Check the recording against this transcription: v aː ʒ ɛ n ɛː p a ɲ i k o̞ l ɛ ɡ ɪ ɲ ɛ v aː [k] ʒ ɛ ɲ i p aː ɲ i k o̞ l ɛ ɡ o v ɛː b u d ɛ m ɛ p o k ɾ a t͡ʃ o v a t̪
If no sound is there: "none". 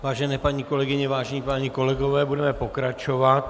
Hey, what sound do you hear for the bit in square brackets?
none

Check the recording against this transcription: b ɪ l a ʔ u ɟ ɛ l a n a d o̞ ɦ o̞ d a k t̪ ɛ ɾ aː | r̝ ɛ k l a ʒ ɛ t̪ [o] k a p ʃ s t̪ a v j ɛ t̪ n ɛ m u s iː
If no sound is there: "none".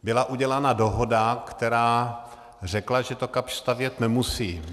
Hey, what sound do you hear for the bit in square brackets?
o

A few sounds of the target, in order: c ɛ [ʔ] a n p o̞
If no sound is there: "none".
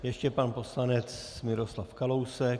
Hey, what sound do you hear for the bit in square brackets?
p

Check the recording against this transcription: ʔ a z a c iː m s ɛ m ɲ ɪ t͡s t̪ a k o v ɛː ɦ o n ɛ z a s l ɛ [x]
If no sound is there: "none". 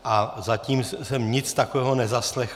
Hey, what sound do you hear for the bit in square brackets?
x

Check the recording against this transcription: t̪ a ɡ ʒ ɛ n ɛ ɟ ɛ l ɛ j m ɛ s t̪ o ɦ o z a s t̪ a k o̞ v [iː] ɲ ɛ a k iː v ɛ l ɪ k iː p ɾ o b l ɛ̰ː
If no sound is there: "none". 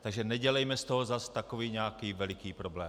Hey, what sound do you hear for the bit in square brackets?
iː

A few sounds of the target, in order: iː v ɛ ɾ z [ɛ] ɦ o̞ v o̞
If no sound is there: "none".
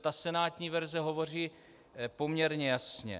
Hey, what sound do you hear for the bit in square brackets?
ɛ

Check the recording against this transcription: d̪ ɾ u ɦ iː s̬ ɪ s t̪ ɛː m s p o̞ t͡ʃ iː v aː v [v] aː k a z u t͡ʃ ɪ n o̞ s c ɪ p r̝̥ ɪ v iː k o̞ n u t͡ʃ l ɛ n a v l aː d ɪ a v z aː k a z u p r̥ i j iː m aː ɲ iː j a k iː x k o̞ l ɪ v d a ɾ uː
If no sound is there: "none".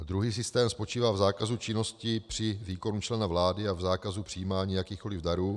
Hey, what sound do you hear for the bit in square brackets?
z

